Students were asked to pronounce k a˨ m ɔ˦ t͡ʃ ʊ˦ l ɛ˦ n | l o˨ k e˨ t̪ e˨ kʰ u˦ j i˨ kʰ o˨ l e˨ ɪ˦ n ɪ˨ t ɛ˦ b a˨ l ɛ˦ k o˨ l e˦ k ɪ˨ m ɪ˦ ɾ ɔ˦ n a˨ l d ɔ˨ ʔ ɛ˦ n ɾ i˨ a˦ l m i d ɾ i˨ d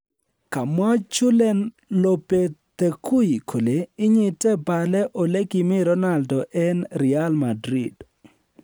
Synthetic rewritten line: k a˨ m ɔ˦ t͡ʃ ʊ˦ l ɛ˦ n | l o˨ p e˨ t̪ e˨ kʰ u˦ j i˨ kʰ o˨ l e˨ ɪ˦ ɲ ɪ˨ t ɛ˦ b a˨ l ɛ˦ ʔ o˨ l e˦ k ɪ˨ m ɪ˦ ɾ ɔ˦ n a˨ l d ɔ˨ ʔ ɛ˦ n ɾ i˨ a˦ l m a d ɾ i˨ d